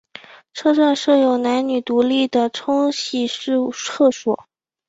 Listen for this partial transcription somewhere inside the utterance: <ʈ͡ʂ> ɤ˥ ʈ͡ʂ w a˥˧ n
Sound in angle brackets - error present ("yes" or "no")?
yes